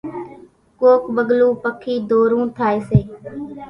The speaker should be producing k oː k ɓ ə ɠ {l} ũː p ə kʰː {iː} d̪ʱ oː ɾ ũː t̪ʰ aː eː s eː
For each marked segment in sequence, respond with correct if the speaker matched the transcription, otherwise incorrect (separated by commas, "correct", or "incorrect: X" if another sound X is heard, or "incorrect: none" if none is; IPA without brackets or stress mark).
correct, correct